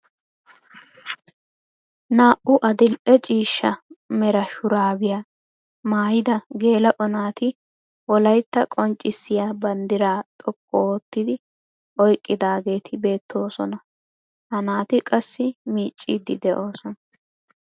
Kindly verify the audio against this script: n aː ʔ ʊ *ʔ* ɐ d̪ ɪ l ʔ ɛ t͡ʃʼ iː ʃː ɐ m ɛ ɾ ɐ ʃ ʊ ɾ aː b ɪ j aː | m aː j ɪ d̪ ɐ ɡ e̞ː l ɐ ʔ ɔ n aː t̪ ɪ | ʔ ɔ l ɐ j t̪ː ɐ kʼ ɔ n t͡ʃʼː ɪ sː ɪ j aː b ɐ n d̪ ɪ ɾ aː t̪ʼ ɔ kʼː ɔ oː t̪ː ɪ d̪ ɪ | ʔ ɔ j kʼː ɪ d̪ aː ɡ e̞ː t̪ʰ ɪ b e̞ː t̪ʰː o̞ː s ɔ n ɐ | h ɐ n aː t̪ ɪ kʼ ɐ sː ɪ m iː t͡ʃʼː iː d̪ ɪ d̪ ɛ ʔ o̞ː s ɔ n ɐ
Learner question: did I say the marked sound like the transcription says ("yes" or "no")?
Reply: yes